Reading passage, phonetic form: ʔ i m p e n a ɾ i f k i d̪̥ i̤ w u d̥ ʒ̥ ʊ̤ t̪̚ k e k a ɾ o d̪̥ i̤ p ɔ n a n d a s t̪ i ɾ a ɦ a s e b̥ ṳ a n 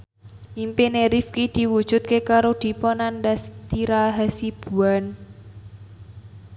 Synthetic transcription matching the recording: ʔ i m p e n e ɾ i f k i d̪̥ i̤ w u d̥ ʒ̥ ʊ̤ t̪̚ k e k a ɾ o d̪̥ i̤ p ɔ n a n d a s t̪ i ɾ a ɦ a s i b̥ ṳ a n

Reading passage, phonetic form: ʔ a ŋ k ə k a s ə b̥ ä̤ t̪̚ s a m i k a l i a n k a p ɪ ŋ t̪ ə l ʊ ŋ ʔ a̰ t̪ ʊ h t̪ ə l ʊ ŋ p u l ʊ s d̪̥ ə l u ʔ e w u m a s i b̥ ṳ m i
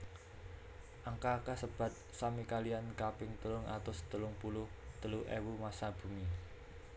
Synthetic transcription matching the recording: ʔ a ŋ k a k a s ə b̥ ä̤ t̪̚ s a m i k a l i a n k a p ɪ ŋ t̪ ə l ʊ ŋ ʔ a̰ t̪ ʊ s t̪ ə l ʊ ŋ p u l ʊ h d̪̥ ə l u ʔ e w u m a s a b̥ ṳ m i

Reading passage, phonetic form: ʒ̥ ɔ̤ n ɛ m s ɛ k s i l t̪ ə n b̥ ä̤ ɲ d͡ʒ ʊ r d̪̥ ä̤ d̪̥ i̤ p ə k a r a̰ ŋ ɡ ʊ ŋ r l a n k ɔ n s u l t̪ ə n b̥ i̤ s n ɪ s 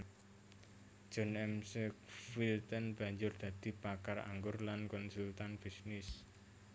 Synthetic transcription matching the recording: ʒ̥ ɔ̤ n ɛ m s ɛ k f i l t̪ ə n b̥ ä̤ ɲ d͡ʒ ʊ r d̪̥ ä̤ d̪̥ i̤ p a k a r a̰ ŋ ɡ ʊ r l a n k ɔ n s u l t̪ a n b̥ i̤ s n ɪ s

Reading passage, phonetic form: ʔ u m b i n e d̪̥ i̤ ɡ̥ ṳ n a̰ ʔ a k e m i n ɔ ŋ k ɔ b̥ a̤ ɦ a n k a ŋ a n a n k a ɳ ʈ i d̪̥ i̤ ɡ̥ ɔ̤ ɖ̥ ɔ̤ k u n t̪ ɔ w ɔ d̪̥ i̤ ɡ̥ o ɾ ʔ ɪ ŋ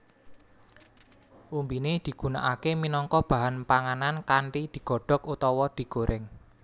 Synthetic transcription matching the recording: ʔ u m b i n e d̪̥ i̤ ɡ̥ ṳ n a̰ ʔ a k e m i n ɔ ŋ k ɔ b̥ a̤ ɦ a n p a ŋ a n a n k a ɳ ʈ i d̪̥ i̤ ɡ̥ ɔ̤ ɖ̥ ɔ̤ k u t̪ ɔ w ɔ d̪̥ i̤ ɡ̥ o ɾ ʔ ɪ ŋ

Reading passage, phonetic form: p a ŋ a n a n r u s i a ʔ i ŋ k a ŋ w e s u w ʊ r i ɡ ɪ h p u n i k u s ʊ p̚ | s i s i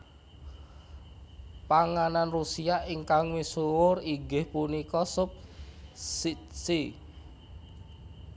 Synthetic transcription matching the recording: p a ŋ a n a n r u s i a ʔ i ŋ k a ŋ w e s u w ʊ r i ɡ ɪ h p u n i k ɔ s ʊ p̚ | s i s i

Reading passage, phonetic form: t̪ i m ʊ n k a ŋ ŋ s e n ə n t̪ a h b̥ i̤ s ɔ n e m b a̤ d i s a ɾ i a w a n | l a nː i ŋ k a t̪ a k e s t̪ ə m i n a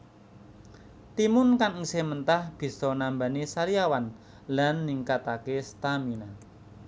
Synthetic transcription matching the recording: t̪ i m ʊ n k a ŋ ŋ s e m ə n t̪ a h b̥ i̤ s ɔ n a m b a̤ n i s a ɾ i a w a n | l a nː i ŋ k a t̪ a k e s t̪ a m i n a

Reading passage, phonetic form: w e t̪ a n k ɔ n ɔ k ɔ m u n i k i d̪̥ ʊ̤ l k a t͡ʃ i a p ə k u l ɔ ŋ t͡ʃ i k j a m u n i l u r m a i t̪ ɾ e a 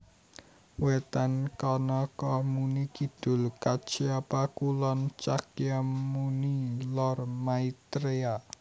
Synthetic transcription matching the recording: w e t̪ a n k ɔ n ɔ k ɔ m u n i k i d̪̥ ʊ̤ l k a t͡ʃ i a p a k u l ɔ n t͡ʃ a k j a m u n i l ɔ r m a i t̪ ɾ e a

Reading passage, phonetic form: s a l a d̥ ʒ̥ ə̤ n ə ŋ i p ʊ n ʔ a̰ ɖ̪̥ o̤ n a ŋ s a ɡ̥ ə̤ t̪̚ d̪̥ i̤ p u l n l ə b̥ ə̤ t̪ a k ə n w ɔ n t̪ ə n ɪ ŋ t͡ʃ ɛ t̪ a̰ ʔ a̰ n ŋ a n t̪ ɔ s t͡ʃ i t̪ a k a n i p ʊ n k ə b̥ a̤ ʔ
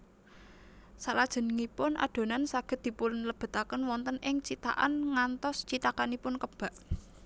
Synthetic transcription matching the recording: s a l a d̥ ʒ̥ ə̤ n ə ŋ i p ʊ n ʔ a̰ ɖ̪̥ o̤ n a n s a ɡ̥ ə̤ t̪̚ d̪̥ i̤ p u l n l ə b̥ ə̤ t̪ a k ə n w ɔ n t̪ ə n ɪ ŋ t͡ʃ i t̪ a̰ ʔ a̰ n ŋ a n t̪ ɔ s t͡ʃ i t̪ a k a n i p ʊ n k ə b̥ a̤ ʔ

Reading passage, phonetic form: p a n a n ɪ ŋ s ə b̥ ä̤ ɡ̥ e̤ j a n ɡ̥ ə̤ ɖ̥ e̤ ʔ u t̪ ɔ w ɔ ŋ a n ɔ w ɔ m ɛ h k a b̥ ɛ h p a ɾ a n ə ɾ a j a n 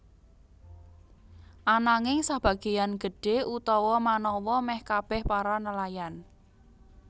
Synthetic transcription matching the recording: ʔ a n a ŋ ɪ ŋ s a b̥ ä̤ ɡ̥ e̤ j a n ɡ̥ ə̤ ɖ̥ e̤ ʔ u t̪ ɔ w ɔ m a n ɔ w ɔ m ɛ h k a b̥ ɛ h p a ɾ a n ə l a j a n

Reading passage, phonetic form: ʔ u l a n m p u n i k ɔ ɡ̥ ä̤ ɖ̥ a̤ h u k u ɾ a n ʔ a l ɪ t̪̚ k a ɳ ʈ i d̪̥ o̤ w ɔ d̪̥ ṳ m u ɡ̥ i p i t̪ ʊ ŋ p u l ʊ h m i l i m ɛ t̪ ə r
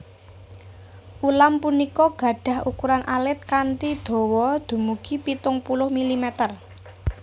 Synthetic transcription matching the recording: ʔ u l a m p u n i k ɔ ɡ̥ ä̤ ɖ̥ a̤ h u k u ɾ a n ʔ a l ɪ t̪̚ k a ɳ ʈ i d̪̥ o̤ w ɔ d̪̥ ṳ m u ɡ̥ i p i t̪ ʊ ŋ p u l ʊ h m i l i m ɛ t̪ ə r

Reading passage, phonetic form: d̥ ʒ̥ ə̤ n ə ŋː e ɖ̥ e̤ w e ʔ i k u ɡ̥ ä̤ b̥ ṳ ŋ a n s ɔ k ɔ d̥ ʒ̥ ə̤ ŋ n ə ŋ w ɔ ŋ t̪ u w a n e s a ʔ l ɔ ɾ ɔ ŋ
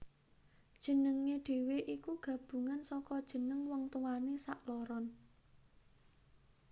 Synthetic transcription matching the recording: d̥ ʒ̥ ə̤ n ə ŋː e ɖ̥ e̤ w e ʔ i k u ɡ̥ ä̤ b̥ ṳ ŋ a n s ɔ k ɔ d̥ ʒ̥ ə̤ n ə ŋ w ɔ ŋ t̪ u w a n e s a ʔ l ɔ ɾ ɔ n

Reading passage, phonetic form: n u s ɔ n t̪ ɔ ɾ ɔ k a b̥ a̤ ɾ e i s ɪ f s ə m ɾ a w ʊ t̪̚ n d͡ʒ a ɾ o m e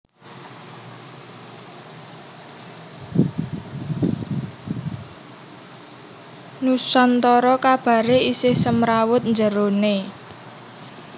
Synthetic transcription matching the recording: n u s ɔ n t̪ ɔ ɾ ɔ k a b̥ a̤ ɾ e i s ɪ h s ə m ɾ a w ʊ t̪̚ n d͡ʒ ə ɾ o n e

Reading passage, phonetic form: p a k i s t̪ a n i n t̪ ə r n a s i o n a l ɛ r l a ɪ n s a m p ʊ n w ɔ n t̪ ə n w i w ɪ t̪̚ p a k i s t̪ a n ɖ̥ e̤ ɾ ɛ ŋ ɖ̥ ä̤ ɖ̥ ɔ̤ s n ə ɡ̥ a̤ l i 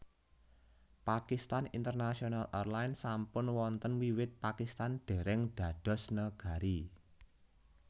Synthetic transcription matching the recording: p a k i s t̪ a n i n t̪ ə r n a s i o n a l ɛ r l a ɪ n s a m p ʊ n w ɔ n t̪ ə n w i w ɪ t̪̚ p a k i s t̪ a n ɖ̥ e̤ ɾ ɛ ŋ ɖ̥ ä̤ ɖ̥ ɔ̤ s n ə ɡ̥ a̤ ɾ i

